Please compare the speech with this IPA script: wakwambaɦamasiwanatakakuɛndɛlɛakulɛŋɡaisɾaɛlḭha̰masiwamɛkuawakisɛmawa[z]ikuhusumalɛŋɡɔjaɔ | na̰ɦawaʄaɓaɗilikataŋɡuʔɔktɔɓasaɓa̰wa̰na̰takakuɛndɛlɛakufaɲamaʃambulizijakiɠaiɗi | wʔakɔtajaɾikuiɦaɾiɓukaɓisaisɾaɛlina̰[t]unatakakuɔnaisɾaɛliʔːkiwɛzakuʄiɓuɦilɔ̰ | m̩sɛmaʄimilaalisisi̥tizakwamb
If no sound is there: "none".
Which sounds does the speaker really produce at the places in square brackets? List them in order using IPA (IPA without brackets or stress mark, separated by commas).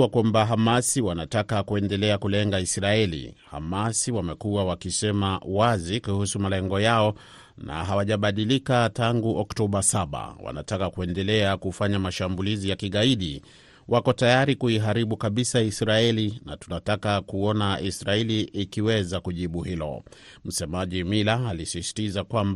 z, t